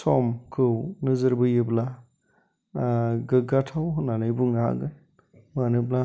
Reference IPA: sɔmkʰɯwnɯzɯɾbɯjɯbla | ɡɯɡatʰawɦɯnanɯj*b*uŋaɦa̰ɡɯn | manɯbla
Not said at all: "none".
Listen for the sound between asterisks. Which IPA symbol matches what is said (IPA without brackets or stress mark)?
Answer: b